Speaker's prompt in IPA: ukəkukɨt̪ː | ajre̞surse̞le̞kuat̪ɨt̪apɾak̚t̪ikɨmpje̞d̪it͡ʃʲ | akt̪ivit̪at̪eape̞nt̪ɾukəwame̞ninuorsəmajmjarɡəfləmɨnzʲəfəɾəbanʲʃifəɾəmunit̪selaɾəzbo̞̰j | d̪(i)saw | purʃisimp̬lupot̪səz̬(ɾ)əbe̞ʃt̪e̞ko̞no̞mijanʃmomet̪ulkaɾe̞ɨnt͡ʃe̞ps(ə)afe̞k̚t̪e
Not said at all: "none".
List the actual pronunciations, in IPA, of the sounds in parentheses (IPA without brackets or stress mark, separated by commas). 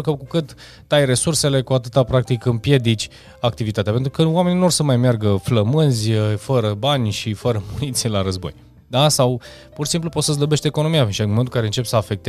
a, l, ə